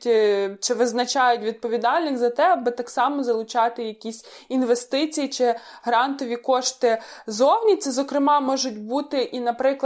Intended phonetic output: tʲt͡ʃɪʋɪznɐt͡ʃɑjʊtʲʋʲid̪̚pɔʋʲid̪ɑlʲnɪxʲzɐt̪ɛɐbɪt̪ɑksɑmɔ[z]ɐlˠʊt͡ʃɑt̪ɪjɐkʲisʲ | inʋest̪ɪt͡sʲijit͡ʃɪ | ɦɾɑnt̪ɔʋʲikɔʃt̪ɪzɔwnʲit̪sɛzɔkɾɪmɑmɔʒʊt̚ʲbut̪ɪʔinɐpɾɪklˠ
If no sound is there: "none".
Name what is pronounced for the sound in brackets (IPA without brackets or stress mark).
z